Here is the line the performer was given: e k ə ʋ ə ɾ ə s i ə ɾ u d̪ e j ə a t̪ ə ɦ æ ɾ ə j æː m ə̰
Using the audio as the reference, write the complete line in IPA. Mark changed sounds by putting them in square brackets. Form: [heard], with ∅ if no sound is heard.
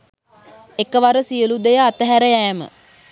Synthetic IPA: e k ə ʋ [a] ɾ ə s i ə [l] u d̪ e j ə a t̪ ə ɦ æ ɾ ə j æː m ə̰

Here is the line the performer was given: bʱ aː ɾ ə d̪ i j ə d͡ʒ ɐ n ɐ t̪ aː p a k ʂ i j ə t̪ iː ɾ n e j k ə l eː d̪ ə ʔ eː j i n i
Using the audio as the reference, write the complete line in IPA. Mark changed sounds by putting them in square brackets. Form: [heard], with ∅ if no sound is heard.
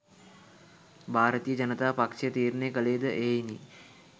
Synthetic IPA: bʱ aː ɾ ə [t̪] i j ə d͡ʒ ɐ n [ə] t̪ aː p a k ʂ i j ə t̪ iː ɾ n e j k ə l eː d̪ ə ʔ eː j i n i

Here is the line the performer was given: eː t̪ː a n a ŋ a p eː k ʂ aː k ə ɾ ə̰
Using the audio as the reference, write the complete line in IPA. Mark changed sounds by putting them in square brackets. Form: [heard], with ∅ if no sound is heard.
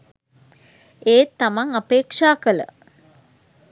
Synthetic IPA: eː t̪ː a [m] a ŋ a p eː k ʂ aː k ə [l] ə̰

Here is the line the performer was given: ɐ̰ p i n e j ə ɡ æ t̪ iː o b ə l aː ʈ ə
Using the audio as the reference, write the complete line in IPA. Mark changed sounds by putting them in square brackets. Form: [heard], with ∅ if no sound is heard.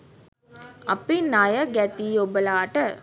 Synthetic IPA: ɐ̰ p i n [a] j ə ɡ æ t̪ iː o b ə l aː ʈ ə

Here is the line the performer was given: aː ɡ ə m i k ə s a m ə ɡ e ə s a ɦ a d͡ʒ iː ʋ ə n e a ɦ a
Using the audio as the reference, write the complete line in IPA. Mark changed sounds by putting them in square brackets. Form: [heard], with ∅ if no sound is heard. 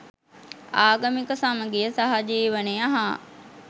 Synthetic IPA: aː ɡ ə m i k ə s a m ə ɡ e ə s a ɦ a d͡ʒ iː ʋ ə n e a ɦ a

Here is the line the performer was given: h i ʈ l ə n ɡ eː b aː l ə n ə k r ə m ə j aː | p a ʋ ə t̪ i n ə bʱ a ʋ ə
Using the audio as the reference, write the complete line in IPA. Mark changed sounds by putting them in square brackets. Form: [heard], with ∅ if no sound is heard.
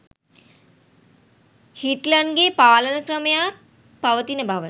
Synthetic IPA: h i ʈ l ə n ɡ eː [p] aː l ə n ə k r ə m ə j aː | p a ʋ ə t̪ i n ə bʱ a ʋ ə

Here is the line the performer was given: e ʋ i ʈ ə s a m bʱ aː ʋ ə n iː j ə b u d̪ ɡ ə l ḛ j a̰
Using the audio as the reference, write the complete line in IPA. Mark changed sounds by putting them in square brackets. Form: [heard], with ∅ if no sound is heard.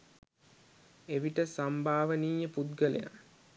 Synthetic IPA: e ʋ i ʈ ə s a m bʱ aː ʋ ə n iː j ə [p] u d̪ ɡ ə l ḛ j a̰

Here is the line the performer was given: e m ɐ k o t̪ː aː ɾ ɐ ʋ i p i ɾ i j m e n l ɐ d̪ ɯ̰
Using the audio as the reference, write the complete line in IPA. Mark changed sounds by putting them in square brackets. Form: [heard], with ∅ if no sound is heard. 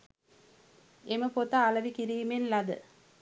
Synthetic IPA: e m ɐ [p] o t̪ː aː [l] ɐ ʋ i [k] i ɾ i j m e n l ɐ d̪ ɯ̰

